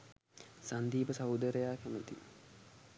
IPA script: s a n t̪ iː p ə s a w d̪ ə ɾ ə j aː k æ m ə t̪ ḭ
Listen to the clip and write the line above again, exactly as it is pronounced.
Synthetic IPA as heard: s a n d̪ iː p ə s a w d̪ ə ɾ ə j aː k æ m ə t̪ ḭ